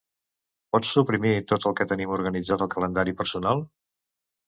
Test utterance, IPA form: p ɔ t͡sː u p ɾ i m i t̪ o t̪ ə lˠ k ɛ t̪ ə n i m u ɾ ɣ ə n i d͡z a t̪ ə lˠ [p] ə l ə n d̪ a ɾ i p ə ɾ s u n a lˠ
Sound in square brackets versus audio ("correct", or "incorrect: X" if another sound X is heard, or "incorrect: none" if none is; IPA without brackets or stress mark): incorrect: k